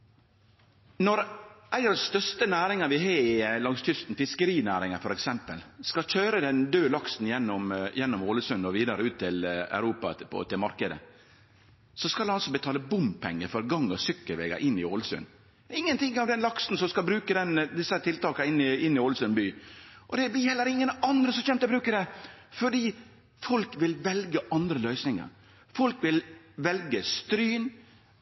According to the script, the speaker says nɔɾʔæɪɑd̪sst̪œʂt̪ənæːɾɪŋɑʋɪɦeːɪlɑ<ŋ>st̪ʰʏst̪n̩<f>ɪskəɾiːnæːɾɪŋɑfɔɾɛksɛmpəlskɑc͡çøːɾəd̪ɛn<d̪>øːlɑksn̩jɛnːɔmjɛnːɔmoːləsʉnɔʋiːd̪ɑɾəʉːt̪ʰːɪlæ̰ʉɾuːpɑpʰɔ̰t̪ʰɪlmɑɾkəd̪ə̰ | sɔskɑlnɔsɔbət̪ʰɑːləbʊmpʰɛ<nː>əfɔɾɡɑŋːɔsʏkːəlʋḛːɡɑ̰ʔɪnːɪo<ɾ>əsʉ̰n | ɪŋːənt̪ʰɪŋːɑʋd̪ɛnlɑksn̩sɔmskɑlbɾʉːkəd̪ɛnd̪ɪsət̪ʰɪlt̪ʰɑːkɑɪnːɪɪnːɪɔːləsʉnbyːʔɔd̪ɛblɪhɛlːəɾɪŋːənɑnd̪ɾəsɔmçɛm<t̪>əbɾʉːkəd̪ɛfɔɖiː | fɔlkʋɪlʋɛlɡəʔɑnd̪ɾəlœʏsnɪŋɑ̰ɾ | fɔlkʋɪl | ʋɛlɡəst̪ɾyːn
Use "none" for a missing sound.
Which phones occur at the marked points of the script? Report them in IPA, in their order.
ŋ, f, d̪, ŋː, l, t̪

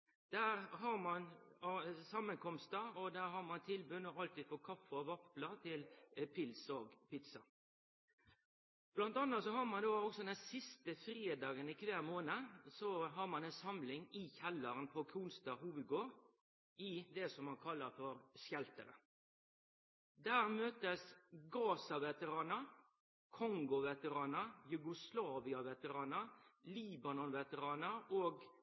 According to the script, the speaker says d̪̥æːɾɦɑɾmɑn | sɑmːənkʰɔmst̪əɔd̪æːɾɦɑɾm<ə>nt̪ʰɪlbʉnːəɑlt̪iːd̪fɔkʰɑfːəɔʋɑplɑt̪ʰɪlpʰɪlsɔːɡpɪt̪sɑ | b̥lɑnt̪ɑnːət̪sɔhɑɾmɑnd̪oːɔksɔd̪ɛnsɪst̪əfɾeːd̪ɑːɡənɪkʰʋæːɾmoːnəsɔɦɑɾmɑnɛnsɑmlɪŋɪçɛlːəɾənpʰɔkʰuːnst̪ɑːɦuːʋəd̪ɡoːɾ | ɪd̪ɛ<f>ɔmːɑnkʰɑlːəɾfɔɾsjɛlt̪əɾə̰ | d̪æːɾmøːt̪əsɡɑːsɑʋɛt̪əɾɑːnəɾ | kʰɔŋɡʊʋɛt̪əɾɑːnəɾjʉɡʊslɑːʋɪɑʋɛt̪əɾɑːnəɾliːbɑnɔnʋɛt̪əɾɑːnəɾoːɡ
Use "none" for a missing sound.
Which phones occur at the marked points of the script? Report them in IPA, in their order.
ɑ, s

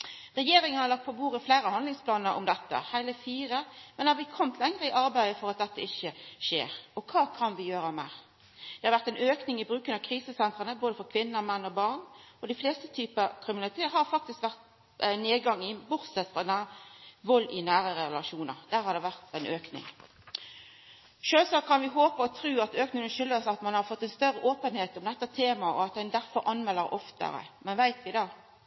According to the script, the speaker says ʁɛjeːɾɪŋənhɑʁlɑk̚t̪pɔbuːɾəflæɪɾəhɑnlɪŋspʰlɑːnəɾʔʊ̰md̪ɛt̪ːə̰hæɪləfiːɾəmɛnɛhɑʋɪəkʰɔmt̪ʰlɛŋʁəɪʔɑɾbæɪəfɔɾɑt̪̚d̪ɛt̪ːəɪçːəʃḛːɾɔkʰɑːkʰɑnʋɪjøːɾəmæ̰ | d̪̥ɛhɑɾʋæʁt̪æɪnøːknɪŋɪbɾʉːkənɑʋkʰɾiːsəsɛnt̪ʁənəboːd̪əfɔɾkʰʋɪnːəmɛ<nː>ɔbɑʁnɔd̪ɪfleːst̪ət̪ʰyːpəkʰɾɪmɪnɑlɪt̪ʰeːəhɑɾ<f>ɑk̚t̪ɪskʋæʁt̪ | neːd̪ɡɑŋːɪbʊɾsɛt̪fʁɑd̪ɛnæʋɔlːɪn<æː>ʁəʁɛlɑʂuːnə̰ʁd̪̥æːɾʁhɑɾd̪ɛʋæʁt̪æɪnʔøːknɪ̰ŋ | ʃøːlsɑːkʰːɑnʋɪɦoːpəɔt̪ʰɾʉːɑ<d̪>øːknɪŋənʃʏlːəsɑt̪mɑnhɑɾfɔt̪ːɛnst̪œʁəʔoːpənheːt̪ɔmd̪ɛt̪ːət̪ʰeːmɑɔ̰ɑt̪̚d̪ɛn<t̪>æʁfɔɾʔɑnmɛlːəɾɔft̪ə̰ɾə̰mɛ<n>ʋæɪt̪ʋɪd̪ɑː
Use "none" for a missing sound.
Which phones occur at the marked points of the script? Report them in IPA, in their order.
nː, f, æː, t̪, d̪, n

